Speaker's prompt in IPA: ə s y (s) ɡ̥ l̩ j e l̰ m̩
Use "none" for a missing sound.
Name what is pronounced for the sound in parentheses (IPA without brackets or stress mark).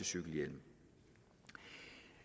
none